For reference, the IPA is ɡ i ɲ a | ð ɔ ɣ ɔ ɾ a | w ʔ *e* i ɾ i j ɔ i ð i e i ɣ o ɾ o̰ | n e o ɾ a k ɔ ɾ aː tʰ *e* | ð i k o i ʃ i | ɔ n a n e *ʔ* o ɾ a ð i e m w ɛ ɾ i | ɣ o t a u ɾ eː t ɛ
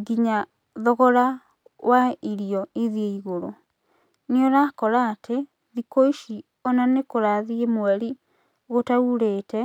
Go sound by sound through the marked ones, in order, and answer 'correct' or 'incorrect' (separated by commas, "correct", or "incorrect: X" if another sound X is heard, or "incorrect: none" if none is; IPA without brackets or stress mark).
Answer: incorrect: a, correct, incorrect: k